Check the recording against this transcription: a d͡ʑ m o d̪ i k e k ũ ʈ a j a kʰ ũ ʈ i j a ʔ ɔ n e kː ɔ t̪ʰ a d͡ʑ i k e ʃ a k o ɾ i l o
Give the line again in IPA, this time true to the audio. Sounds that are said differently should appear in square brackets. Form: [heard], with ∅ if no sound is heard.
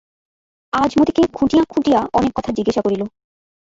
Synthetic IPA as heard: a d͡ʑ m o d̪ i k e [kʰ] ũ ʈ [i] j a kʰ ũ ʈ i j a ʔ ɔ n e kː ɔ t̪ʰ a d͡ʑ i [ɡ] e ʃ a k o ɾ i l o